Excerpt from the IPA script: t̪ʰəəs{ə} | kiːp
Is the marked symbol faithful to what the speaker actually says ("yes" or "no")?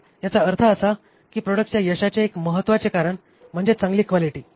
no